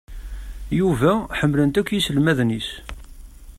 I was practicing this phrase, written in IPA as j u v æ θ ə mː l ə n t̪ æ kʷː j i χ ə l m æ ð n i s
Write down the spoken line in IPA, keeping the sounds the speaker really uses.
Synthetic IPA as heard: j u v æ ħ ə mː l ə n t̪ æ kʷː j i s ə l m æ ð n i s